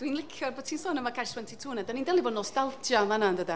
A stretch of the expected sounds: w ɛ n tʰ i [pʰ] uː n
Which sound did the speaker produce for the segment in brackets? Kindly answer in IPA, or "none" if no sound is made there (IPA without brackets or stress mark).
tʰ